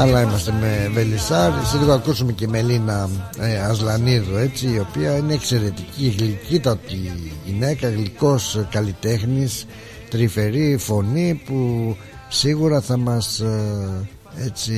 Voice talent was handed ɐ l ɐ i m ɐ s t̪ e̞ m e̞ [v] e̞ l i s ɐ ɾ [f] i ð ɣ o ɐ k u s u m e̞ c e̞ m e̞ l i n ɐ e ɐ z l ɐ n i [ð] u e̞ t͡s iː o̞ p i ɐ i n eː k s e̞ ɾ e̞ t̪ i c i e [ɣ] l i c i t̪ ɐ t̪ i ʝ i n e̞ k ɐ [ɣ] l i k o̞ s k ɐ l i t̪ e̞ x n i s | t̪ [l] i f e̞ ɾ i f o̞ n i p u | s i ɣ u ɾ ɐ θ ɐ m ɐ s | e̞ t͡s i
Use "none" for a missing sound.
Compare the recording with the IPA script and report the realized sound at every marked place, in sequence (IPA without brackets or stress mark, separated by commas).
v, s, ð, ɣ, ɣ, ɾ